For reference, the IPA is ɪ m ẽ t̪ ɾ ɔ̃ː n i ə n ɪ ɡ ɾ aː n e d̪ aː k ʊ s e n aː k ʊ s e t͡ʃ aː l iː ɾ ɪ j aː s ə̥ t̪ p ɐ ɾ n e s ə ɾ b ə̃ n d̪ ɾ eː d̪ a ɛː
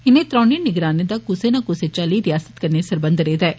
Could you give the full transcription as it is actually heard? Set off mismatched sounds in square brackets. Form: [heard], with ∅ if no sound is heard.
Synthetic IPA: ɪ [n] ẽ t̪ ɾ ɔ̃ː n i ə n ɪ ɡ ɾ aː n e d̪ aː k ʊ s e n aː k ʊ s e t͡ʃ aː l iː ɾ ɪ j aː s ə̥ t̪ [k] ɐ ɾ n e s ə ɾ b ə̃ n d̪ ɾ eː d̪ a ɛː